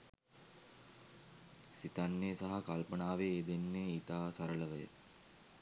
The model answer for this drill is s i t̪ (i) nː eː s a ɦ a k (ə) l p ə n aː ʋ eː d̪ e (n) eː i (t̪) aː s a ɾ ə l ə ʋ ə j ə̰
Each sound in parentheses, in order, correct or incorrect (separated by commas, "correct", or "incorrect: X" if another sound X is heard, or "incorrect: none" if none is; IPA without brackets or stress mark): incorrect: a, incorrect: a, incorrect: nː, correct